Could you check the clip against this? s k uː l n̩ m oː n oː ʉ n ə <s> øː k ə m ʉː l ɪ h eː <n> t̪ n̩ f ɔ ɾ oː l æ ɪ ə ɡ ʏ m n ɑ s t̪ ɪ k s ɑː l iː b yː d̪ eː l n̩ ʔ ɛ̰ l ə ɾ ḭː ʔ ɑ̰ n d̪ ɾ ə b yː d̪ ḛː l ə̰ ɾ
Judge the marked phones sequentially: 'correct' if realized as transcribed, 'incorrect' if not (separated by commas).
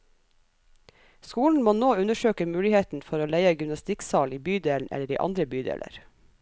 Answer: incorrect, incorrect